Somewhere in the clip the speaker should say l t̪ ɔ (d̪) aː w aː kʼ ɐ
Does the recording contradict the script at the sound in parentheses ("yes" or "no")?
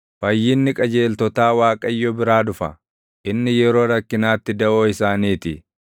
yes